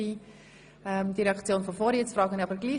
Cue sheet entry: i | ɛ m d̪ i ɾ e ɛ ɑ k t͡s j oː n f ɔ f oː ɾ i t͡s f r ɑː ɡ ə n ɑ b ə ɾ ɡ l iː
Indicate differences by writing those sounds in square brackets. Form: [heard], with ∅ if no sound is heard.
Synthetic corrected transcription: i | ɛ m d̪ i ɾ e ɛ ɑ k t͡s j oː n f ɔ f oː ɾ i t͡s f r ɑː ɡ ə n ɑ b ə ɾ ɡ l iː